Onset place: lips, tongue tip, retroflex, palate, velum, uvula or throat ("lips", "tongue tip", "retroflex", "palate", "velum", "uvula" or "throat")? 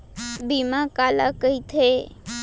lips